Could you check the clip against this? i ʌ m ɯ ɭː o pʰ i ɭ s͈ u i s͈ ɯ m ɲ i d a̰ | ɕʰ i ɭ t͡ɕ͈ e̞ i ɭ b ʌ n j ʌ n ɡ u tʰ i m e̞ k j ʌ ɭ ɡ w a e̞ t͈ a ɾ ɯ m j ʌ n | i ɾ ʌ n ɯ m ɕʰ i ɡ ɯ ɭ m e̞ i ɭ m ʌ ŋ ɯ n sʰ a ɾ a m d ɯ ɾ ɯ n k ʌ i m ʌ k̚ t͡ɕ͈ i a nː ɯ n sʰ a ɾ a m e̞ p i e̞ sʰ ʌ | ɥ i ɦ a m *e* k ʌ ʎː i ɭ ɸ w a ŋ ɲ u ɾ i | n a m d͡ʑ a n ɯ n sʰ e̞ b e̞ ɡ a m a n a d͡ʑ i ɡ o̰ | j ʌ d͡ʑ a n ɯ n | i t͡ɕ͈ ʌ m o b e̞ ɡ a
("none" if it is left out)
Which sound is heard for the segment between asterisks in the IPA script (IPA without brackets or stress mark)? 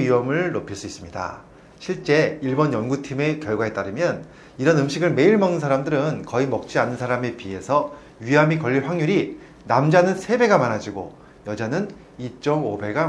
i